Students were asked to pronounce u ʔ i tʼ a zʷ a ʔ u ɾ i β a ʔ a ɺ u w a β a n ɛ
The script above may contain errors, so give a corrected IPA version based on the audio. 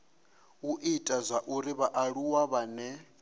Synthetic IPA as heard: u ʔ i tʼ a zʷ a ʔ u ɾ i β a ʔ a ɺ u w a β a n ɛ